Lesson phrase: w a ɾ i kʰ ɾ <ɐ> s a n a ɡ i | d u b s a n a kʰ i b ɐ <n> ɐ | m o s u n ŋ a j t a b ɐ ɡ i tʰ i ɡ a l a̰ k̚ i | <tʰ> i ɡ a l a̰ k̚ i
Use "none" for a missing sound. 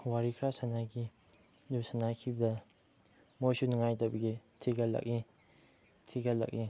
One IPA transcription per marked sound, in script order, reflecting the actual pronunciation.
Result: a, d, tʰ

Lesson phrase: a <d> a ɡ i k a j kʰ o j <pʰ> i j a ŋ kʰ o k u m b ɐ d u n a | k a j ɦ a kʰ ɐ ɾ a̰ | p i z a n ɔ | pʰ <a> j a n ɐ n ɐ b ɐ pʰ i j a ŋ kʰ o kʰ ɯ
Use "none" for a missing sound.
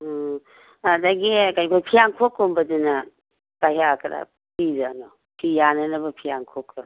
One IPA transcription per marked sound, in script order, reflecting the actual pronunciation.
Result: d, pʰ, i

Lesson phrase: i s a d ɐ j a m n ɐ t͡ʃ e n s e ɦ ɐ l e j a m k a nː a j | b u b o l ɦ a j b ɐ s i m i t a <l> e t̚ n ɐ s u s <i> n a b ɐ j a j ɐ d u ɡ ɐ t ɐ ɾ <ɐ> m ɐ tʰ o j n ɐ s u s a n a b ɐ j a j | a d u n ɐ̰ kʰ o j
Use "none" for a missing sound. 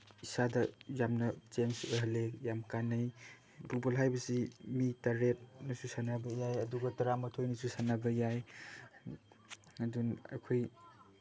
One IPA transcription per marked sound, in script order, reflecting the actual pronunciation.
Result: ɾ, a, a

